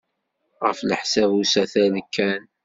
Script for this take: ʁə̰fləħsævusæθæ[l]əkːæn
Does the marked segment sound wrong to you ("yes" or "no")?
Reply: no